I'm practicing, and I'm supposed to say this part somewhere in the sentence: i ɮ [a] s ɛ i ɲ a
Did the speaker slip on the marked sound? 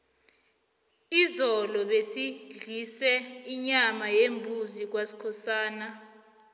yes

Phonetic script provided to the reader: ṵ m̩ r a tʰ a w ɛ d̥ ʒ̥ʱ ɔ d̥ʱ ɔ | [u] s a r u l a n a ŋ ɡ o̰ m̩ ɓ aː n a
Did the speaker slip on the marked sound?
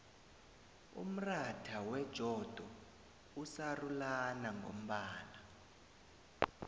no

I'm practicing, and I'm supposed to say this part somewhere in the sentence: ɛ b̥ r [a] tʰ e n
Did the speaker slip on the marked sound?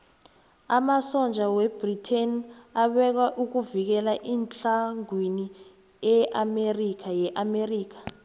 yes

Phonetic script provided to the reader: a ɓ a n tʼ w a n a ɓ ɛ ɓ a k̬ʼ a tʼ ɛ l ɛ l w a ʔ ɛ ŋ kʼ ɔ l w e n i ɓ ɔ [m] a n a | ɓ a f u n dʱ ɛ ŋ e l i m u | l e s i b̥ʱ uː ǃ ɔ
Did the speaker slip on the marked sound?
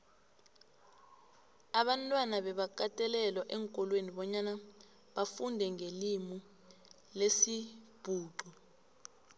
yes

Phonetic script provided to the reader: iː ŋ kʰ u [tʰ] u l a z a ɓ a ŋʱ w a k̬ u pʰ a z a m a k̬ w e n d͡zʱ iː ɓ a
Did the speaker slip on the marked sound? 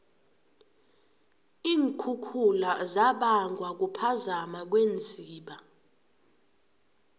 yes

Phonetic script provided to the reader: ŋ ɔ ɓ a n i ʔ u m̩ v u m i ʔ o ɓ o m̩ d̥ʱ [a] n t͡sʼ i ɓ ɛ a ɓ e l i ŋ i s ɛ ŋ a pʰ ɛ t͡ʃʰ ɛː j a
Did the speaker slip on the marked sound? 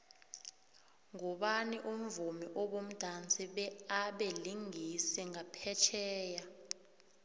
no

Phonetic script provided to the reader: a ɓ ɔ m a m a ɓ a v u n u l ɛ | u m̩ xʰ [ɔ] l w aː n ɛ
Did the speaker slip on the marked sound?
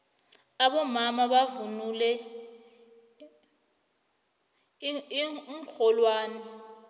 no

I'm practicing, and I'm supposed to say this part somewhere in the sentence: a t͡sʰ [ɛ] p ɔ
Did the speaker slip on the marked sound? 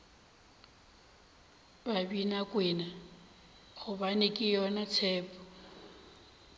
yes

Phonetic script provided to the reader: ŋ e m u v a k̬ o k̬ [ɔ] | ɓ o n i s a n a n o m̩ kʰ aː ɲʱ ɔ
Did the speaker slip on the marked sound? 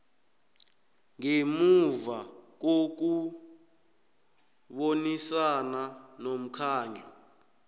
yes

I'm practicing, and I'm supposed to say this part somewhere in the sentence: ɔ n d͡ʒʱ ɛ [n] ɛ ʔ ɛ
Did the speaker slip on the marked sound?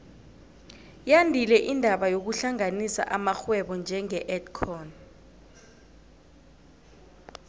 yes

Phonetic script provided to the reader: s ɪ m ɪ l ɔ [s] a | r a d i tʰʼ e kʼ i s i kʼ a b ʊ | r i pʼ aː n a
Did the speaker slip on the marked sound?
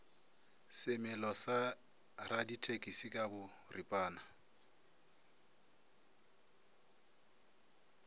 no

